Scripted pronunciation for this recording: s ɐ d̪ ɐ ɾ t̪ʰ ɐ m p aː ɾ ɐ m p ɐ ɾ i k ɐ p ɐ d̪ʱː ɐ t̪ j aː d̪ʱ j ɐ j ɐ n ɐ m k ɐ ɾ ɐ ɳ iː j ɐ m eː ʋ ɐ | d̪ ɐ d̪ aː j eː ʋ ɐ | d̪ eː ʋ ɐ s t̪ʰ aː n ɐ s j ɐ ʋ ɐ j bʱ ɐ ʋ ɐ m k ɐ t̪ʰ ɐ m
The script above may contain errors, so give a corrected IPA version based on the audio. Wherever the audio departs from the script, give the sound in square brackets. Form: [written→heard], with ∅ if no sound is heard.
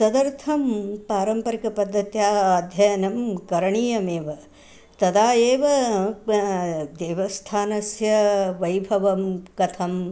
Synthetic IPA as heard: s ɐ d̪ ɐ ɾ t̪ʰ ɐ m p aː ɾ ɐ m p ɐ ɾ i k ɐ p ɐ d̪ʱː ɐ t̪ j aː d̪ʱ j ɐ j ɐ n ɐ m k ɐ ɾ ɐ ɳ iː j ɐ m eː ʋ ɐ | [d̪→t̪] ɐ d̪ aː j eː ʋ ɐ | d̪ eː ʋ ɐ s t̪ʰ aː n ɐ s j ɐ ʋ ɐ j bʱ ɐ ʋ ɐ m k ɐ t̪ʰ ɐ m

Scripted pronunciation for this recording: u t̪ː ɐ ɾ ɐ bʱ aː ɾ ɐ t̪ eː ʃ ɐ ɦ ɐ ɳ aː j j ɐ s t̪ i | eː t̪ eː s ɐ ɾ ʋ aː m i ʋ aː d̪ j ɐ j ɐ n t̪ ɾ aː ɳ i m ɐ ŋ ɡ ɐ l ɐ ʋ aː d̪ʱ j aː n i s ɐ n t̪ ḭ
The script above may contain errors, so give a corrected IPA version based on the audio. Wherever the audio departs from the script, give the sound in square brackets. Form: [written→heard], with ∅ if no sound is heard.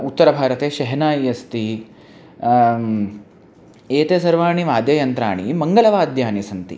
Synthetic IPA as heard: u t̪ː ɐ ɾ ɐ bʱ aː ɾ ɐ t̪ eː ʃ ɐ ɦ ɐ [ɳ→n] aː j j ɐ s t̪ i | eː t̪ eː s ɐ ɾ ʋ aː [m→ɳ] i ʋ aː d̪ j ɐ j ɐ n t̪ ɾ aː ɳ i m ɐ ŋ ɡ ɐ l ɐ ʋ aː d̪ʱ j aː n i s ɐ n t̪ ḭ

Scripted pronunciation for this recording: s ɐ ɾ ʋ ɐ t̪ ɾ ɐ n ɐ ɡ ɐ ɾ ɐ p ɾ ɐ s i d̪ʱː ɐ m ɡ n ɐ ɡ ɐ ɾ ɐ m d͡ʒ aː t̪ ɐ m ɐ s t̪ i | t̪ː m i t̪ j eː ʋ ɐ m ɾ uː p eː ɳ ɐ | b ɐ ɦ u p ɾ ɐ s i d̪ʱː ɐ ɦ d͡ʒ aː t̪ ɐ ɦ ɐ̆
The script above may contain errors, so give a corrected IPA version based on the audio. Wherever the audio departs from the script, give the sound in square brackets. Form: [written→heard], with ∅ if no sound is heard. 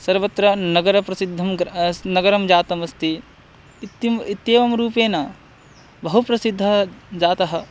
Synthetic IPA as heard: s ɐ ɾ ʋ ɐ t̪ ɾ ɐ n ɐ ɡ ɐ ɾ ɐ p ɾ ɐ s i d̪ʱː ɐ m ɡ n ɐ ɡ ɐ ɾ ɐ m d͡ʒ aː t̪ ɐ m ɐ s t̪ i | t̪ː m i t̪ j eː ʋ ɐ m ɾ uː p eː [ɳ→n] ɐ | b ɐ ɦ u p ɾ ɐ s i d̪ʱː ɐ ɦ d͡ʒ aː t̪ ɐ ɦ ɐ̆

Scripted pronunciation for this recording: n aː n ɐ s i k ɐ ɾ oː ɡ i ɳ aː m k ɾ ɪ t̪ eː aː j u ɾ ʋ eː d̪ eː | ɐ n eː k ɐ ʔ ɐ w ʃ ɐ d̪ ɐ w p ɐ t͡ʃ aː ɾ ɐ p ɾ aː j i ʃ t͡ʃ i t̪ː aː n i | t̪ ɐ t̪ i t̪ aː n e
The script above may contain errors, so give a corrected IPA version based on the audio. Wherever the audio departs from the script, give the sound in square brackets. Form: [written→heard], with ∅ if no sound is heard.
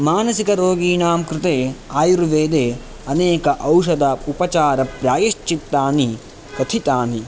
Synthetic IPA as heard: [n→m] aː n ɐ s i k ɐ ɾ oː ɡ [i→iː] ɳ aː m k ɾ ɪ t̪ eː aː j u ɾ ʋ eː d̪ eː | ɐ n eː k ɐ ʔ ɐ w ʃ ɐ d̪ ɐ [w→u] p ɐ t͡ʃ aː ɾ ɐ p ɾ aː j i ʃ t͡ʃ i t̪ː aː n i | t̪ ɐ [t̪→t̪ʰ] i t̪ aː n [e→i]

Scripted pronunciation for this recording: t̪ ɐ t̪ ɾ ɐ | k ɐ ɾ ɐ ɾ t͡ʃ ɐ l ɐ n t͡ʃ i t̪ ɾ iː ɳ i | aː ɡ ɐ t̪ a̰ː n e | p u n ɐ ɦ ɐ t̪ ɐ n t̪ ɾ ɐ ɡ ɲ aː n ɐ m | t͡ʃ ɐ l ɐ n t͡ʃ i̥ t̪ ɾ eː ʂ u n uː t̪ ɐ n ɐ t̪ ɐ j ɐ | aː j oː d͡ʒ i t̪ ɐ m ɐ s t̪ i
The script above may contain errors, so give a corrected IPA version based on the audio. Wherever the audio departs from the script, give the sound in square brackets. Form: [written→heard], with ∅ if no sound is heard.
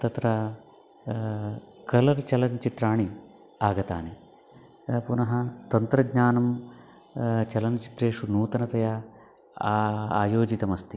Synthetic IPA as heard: t̪ ɐ t̪ ɾ ɐ | k ɐ [ɾ→l] ɐ ɾ t͡ʃ ɐ l ɐ n t͡ʃ i t̪ ɾ [iː→aː] ɳ i | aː ɡ ɐ t̪ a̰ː n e | p u n ɐ ɦ ɐ t̪ ɐ n t̪ ɾ ɐ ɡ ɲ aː n ɐ m | t͡ʃ ɐ l ɐ n t͡ʃ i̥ t̪ ɾ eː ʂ u n uː t̪ ɐ n ɐ t̪ ɐ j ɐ | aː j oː d͡ʒ i t̪ ɐ m ɐ s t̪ i

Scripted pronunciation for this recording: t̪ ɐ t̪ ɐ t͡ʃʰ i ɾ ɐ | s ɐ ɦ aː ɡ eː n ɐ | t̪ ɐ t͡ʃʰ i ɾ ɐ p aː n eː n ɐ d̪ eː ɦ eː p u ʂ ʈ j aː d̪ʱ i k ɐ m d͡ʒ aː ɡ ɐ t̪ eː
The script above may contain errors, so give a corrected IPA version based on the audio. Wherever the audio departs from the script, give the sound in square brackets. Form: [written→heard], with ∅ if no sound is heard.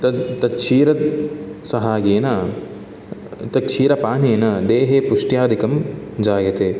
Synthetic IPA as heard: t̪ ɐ t̪ ɐ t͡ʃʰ [i→iː] ɾ ɐ | s ɐ ɦ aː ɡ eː n ɐ | t̪ ɐ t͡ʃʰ [i→iː] ɾ ɐ p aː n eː n ɐ d̪ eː ɦ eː p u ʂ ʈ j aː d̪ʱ i k ɐ m d͡ʒ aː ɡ ɐ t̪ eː

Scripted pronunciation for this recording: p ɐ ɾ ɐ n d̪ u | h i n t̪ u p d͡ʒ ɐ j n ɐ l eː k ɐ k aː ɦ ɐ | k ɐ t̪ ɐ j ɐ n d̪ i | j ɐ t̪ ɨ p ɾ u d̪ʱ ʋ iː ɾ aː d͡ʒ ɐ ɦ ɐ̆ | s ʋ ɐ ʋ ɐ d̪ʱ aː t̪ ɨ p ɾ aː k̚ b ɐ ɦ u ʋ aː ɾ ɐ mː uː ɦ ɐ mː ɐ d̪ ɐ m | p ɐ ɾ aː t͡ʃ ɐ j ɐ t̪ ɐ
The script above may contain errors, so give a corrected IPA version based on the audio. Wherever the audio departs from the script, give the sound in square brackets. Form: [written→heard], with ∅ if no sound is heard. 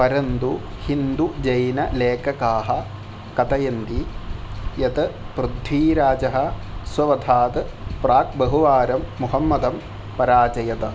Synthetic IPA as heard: p ɐ ɾ ɐ n d̪ u | h i n [t̪→d̪] u [p→∅] d͡ʒ ɐ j n ɐ l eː k ɐ k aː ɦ ɐ | k ɐ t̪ ɐ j ɐ n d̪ i | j ɐ t̪ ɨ p ɾ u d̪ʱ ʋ iː ɾ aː d͡ʒ ɐ ɦ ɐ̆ | s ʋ ɐ ʋ ɐ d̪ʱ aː t̪ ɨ p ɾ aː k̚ b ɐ ɦ u ʋ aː ɾ ɐ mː [uː→u] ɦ ɐ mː ɐ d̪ ɐ m | p ɐ ɾ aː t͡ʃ ɐ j ɐ t̪ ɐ

